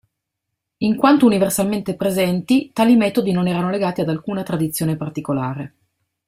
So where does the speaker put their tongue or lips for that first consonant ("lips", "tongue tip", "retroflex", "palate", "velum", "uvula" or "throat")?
velum